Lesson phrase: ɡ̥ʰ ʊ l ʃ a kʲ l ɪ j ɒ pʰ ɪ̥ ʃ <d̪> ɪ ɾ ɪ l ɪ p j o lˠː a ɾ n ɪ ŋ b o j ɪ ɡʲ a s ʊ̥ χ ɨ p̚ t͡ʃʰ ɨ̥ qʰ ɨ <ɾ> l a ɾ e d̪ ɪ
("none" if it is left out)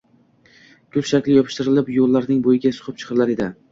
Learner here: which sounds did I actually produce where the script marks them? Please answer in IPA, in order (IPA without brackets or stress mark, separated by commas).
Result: t̪, ɾ